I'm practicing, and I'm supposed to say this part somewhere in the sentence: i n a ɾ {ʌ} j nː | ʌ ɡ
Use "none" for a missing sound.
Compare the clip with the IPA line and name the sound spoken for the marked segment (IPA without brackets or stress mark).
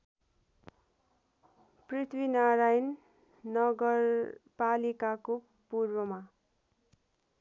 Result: a